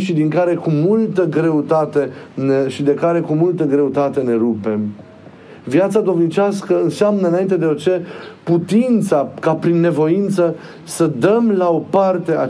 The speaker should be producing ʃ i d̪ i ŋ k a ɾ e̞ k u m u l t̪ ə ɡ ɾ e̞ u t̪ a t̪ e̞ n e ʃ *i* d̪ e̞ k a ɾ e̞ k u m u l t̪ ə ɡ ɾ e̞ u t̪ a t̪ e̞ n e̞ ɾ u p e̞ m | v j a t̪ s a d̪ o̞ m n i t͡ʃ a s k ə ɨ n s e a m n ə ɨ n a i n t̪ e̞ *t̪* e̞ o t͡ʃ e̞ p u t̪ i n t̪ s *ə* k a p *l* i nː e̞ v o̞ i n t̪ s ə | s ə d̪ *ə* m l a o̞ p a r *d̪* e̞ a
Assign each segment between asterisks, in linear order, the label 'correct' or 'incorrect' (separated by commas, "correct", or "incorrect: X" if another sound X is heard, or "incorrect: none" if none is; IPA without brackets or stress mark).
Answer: correct, incorrect: d̪, incorrect: a, incorrect: ɾ, correct, incorrect: t̪